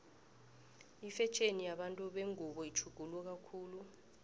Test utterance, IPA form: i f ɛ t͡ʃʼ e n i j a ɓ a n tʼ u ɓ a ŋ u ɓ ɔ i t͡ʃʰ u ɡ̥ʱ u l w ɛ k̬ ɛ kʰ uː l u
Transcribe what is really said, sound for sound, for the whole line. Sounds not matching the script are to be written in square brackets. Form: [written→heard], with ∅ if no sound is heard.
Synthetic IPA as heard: i f ɛ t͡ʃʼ e n i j a ɓ a n tʼ u ɓ [a→e] ŋ u ɓ ɔ i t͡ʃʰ u ɡ̥ʱ u l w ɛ k̬ [ɛ→a] kʰ uː l u